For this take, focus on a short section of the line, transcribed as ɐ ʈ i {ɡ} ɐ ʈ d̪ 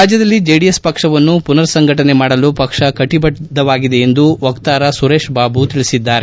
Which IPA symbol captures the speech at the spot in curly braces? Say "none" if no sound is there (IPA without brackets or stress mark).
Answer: b